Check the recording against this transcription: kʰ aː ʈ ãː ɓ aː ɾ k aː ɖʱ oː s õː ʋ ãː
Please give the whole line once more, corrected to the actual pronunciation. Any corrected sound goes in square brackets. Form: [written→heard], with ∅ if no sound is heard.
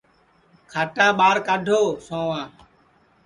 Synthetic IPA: kʰ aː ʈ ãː ɓ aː ɾ k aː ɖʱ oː s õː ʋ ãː